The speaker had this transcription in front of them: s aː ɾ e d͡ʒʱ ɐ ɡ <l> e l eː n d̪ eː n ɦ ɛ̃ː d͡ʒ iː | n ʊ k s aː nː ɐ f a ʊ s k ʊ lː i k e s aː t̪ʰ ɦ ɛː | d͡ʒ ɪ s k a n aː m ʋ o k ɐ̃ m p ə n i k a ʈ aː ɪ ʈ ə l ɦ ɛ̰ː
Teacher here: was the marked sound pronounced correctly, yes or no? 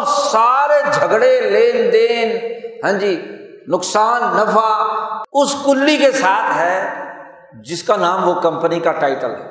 no